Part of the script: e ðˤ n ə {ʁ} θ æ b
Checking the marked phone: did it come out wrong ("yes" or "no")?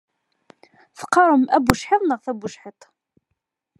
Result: no